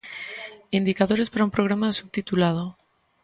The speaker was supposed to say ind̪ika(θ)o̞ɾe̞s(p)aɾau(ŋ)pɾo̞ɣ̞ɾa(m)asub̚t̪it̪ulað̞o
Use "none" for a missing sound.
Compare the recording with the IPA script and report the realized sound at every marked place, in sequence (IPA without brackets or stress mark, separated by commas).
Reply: ð, p, m, m